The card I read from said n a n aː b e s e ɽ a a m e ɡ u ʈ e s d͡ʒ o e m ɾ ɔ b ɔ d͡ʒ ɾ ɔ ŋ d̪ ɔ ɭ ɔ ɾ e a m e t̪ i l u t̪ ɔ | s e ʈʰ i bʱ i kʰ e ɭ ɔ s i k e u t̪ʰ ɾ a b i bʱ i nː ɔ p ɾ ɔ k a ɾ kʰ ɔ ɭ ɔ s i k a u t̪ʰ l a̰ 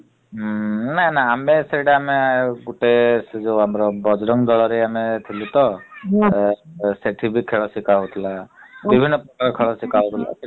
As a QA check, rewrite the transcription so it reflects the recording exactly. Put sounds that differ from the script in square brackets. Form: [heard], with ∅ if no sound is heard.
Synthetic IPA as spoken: n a n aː [m] e s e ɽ a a m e ɡ u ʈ e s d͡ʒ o [a] m ɾ ɔ b ɔ d͡ʒ ɾ ɔ ŋ d̪ ɔ ɭ ɔ ɾ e a m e [t̪ʰ] i l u t̪ ɔ | s e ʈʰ i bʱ i kʰ e ɭ ɔ s i k [a] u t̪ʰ [l] a b i bʱ i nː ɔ p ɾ ɔ k a ɾ kʰ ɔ ɭ ɔ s i k a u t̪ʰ l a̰